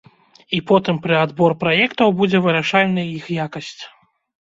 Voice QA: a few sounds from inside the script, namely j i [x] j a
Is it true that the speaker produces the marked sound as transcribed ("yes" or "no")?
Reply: yes